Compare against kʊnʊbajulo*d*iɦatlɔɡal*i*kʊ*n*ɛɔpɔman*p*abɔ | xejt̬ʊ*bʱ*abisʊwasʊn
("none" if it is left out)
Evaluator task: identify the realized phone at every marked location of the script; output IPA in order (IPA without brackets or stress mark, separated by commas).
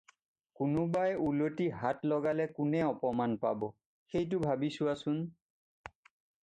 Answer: t, ɛ, n, p, bʱ